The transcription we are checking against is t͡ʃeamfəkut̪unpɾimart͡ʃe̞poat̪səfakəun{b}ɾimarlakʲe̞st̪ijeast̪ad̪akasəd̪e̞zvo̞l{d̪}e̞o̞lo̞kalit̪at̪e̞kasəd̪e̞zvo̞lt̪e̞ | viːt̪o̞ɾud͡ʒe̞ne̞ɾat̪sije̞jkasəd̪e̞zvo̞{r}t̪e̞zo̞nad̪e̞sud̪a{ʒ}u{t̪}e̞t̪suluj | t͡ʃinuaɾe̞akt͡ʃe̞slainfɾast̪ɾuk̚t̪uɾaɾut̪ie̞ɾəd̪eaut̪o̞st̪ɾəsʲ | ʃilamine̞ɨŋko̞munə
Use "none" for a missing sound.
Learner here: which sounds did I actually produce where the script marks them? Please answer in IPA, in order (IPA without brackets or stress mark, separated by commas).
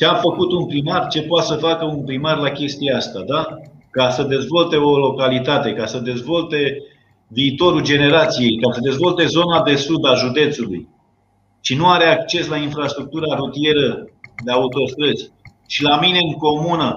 p, t̪, l, ʒ, d̪